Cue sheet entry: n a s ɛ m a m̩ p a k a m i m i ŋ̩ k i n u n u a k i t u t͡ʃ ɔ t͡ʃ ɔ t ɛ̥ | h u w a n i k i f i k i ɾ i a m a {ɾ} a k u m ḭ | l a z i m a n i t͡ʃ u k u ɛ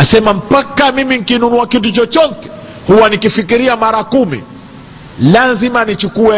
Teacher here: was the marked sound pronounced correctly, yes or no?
yes